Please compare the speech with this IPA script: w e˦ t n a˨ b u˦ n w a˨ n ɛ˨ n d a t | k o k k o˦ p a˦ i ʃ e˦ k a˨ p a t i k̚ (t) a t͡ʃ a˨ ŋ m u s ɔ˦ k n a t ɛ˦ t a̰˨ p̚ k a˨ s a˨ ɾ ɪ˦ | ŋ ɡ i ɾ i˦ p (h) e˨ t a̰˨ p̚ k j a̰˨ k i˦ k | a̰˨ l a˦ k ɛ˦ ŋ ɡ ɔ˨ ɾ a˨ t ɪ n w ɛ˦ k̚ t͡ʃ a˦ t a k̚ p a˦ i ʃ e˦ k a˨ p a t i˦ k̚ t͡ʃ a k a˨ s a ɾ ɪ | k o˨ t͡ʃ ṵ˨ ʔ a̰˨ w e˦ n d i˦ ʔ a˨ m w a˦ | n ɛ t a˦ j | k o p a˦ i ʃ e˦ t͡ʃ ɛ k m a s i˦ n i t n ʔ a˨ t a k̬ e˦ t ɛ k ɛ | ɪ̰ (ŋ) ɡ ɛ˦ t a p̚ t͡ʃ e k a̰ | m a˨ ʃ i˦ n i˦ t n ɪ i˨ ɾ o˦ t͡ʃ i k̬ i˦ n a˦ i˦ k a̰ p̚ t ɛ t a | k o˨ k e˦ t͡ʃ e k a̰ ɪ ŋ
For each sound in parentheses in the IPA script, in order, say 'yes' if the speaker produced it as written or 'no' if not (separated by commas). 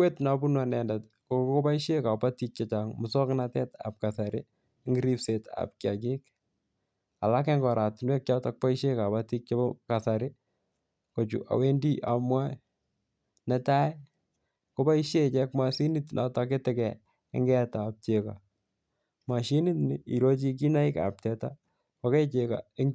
no, no, yes